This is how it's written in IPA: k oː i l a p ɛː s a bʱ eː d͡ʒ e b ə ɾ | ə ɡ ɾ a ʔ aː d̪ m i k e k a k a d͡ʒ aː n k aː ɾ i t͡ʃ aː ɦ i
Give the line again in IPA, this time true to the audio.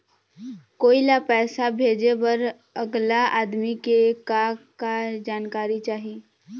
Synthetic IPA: k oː i l a p ɛː s a bʱ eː d͡ʒ e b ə ɾ | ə ɡ l a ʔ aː d̪ m i k e k a k a d͡ʒ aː n k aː ɾ i t͡ʃ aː ɦ i